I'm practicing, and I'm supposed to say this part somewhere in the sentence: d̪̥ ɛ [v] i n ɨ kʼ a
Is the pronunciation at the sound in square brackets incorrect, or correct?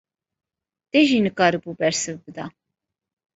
incorrect